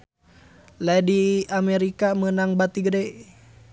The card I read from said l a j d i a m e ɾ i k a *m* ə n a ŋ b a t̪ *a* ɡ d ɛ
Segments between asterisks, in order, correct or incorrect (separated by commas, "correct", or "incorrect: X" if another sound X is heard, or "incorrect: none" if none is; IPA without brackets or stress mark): correct, incorrect: i